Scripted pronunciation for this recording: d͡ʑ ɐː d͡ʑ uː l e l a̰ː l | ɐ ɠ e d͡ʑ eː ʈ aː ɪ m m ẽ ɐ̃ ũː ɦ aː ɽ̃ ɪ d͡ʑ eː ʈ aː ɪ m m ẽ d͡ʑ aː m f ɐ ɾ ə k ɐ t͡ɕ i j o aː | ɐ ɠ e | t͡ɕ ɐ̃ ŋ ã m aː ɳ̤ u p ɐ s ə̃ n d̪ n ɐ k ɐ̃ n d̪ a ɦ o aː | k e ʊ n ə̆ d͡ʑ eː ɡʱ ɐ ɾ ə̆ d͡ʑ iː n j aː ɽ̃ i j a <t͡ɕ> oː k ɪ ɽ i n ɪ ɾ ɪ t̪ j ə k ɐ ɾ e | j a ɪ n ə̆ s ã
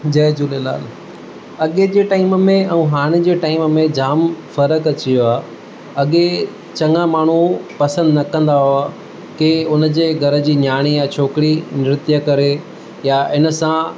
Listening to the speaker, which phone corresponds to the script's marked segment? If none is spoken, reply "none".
t͡ɕʰ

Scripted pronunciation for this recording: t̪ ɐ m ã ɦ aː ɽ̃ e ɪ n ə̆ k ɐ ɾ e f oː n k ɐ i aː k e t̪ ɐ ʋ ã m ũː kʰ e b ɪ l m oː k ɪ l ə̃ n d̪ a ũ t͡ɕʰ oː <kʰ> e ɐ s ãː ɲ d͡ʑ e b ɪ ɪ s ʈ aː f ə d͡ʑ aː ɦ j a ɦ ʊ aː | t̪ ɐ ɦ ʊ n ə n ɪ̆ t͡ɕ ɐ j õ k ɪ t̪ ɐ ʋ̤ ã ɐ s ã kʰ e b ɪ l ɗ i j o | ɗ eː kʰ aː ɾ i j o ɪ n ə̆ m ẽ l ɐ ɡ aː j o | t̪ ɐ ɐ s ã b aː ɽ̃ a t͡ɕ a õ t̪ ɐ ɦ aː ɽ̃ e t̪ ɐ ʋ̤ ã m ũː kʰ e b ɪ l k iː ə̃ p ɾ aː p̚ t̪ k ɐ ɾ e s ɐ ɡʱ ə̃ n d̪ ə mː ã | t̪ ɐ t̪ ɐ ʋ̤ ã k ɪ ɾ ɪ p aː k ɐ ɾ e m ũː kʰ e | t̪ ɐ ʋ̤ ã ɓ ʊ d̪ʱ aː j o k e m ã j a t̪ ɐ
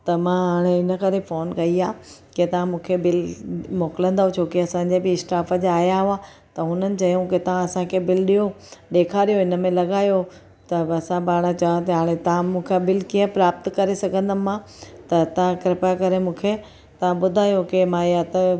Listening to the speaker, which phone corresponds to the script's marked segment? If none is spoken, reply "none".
k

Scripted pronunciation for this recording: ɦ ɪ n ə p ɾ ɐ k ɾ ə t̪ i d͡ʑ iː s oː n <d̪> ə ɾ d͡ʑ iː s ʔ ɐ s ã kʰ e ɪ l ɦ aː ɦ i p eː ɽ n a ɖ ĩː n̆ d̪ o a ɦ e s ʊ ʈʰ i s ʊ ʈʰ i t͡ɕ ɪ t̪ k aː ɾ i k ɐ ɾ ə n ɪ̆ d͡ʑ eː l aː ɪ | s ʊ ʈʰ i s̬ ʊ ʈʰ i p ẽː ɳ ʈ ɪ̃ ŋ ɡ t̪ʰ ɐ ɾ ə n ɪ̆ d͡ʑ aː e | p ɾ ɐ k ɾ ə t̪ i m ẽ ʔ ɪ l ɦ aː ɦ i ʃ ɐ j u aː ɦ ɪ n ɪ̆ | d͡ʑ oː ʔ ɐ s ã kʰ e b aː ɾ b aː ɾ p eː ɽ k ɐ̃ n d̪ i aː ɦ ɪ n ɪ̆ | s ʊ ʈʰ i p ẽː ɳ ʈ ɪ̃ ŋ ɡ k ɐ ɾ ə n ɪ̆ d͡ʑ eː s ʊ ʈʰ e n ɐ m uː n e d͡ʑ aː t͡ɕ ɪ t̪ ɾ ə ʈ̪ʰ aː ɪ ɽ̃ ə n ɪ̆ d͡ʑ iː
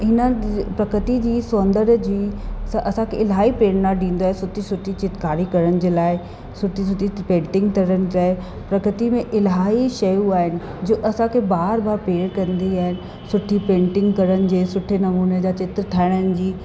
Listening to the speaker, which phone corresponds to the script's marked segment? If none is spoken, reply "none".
d̪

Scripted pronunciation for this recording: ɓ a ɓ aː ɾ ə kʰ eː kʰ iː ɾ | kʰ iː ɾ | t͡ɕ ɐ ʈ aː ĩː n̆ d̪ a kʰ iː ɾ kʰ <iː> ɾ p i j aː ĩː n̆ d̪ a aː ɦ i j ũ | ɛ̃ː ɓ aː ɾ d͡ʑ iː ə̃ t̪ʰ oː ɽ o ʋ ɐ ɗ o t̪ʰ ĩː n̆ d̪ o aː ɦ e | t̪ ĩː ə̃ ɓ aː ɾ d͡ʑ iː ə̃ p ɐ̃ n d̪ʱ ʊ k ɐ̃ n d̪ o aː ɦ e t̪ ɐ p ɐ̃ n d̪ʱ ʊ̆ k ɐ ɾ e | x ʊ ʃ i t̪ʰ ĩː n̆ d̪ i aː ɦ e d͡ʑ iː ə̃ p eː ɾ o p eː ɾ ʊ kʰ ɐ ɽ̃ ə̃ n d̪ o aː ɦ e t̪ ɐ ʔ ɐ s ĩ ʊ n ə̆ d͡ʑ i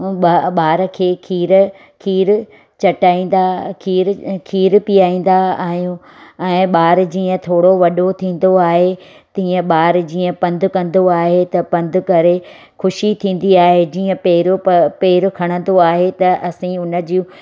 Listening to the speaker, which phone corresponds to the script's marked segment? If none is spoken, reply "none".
iː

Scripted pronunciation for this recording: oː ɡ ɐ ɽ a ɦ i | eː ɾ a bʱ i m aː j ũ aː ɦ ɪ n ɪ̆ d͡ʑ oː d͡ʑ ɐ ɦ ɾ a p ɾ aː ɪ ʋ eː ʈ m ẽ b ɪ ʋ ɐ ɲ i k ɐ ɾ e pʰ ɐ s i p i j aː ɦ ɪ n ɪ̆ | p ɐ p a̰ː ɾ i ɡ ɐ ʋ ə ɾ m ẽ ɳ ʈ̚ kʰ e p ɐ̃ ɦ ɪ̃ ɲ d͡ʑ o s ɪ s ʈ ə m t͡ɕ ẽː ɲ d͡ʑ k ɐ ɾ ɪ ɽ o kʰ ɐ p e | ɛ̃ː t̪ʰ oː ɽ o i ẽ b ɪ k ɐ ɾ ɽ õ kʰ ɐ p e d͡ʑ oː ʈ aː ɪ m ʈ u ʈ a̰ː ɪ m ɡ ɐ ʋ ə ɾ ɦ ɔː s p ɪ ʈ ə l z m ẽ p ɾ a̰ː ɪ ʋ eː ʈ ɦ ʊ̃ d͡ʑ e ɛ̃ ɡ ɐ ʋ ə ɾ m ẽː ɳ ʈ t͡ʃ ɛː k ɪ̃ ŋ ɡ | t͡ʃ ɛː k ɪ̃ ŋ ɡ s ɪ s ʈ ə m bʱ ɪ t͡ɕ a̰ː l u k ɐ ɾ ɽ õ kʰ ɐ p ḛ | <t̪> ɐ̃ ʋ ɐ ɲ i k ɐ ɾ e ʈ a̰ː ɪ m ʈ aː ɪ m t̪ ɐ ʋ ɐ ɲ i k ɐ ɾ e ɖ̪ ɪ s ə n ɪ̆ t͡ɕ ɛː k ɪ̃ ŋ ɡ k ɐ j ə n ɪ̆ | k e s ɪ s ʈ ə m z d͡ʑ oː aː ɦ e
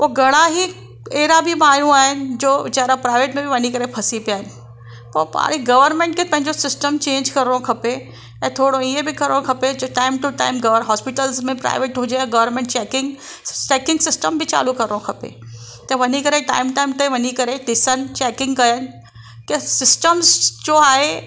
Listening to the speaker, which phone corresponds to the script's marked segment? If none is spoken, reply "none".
t̪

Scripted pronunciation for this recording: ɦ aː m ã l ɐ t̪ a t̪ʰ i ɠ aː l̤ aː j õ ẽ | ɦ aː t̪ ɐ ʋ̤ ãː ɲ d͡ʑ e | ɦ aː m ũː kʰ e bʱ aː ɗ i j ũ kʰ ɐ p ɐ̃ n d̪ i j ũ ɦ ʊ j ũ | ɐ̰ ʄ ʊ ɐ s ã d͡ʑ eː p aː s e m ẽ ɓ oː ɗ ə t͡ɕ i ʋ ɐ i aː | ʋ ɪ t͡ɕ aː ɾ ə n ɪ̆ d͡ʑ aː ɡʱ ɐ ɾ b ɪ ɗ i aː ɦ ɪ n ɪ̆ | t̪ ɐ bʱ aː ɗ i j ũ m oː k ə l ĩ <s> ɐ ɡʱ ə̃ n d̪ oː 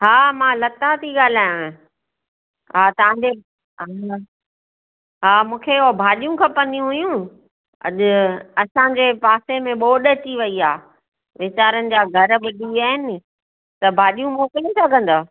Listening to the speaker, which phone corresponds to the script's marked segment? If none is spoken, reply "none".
s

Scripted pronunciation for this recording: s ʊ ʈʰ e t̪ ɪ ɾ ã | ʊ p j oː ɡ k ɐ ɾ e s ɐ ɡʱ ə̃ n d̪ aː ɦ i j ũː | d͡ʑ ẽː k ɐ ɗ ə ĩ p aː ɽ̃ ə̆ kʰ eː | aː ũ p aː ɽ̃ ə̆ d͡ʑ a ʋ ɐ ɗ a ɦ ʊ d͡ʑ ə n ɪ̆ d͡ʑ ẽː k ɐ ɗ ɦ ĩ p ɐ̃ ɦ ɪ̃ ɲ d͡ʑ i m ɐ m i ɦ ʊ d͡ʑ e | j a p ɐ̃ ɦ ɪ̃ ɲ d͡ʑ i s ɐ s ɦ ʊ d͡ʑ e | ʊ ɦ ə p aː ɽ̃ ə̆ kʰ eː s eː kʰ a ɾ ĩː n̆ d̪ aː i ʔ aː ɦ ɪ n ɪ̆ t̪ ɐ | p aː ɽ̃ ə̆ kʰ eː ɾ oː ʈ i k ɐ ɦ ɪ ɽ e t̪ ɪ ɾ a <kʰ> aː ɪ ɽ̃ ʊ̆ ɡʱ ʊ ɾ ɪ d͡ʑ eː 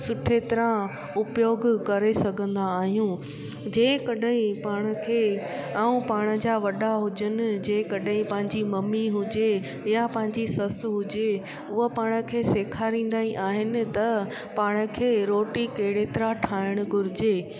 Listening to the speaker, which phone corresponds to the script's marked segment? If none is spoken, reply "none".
ʈʰ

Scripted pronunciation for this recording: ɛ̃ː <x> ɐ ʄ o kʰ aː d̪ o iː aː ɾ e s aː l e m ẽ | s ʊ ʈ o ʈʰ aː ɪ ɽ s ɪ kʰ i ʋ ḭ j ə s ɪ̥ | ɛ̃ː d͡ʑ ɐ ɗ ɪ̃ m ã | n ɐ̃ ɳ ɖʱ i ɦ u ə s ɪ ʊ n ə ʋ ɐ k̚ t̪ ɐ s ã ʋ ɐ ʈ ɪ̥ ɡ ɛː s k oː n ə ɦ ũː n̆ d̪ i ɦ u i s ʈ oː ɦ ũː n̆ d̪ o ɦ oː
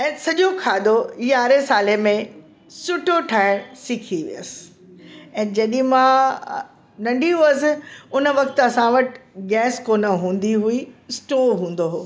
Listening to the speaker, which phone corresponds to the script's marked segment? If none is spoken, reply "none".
s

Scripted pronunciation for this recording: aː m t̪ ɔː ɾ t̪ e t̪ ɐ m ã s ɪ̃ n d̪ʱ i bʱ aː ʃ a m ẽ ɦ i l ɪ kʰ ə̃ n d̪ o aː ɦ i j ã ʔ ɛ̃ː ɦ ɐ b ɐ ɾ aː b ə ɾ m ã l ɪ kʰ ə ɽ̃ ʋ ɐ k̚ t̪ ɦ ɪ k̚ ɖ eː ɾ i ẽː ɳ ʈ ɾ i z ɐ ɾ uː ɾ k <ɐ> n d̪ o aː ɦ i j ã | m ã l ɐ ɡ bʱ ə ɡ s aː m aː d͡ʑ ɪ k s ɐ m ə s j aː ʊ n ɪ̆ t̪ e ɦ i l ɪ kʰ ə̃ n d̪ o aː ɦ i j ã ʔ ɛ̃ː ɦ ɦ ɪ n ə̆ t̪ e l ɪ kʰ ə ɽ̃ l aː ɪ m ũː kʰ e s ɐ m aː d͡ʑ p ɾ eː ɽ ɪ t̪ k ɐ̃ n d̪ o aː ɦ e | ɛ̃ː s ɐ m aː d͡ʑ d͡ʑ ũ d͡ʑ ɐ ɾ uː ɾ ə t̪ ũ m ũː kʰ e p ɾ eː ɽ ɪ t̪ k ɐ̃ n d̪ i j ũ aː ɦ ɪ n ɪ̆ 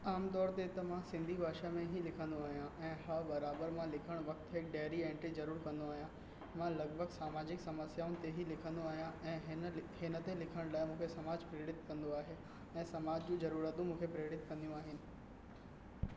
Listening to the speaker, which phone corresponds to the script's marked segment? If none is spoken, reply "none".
ɐ̃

